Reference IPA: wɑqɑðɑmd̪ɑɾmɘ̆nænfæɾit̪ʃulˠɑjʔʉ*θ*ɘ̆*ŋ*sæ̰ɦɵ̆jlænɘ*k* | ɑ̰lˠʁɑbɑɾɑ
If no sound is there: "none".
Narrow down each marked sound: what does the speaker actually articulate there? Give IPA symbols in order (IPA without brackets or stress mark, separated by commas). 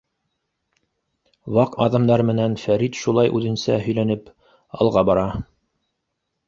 ð, n, p